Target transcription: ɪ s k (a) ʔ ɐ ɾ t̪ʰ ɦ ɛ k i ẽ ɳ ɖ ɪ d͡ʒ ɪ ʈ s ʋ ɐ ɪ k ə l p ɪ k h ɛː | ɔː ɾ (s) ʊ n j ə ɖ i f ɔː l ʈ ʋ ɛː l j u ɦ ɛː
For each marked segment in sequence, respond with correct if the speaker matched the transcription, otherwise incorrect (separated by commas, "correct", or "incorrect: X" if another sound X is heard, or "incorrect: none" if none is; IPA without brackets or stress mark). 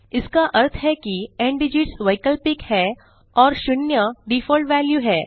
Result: correct, incorrect: ʃ